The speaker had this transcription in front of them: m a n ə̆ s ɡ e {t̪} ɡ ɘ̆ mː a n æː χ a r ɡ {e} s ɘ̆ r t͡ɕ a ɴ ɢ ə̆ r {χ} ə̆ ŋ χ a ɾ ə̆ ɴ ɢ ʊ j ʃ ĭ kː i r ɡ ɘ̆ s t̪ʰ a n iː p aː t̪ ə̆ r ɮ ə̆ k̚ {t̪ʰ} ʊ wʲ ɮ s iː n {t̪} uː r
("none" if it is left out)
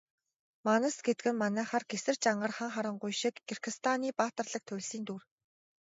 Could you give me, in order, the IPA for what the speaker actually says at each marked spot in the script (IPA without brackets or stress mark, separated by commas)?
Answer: t̪, e, χ, t̪ʰ, t̪